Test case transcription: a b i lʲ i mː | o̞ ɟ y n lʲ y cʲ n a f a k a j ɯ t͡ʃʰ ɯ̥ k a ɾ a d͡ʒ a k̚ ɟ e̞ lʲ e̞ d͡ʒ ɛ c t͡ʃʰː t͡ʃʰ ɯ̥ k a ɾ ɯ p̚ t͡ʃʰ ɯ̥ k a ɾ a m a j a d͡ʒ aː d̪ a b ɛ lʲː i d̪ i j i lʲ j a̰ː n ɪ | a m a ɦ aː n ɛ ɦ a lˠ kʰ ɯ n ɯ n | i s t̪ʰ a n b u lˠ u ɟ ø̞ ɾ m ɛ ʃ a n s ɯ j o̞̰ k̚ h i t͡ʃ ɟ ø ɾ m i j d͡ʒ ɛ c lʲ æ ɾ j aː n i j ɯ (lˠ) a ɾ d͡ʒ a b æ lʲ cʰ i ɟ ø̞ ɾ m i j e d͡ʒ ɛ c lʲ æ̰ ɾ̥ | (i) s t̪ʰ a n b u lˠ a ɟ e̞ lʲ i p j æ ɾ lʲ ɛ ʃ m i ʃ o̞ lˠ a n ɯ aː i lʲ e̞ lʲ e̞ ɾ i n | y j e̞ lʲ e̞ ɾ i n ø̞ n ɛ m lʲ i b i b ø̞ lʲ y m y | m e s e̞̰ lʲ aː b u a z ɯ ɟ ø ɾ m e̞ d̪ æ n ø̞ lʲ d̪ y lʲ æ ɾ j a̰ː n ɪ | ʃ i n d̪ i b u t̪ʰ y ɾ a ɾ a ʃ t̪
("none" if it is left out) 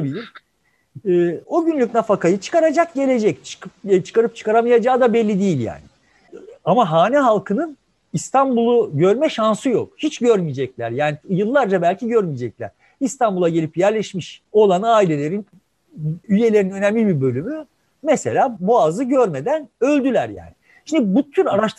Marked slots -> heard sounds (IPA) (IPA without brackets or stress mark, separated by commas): lˠː, i